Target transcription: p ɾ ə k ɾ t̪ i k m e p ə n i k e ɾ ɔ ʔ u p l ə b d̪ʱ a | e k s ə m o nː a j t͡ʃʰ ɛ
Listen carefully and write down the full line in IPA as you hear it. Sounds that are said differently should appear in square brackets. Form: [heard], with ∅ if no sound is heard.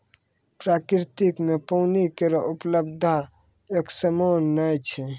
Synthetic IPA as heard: p ɾ [a] k ɾ t̪ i k m e p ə n i k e ɾ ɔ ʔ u p l ə b d̪ʱ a | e k s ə m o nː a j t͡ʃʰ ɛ